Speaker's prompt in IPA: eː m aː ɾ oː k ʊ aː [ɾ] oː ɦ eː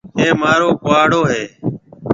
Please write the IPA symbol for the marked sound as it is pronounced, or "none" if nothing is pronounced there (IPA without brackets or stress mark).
ɽ